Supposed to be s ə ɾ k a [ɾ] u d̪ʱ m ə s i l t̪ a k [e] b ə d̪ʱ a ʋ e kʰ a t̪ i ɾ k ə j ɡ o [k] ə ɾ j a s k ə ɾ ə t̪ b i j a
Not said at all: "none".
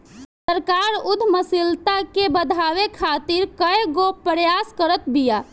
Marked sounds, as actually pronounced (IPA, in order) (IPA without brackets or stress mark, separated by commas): ɾ, e, p